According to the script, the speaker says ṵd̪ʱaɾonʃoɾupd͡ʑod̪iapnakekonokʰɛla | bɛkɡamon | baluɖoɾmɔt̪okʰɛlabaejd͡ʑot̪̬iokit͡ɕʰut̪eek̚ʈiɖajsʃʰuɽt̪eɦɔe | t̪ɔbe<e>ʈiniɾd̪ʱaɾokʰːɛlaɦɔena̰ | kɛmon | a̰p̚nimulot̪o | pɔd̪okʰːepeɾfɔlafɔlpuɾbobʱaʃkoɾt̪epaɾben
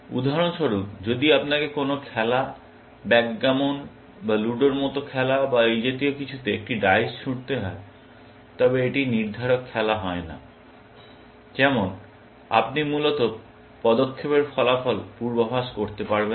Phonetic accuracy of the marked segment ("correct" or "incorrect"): correct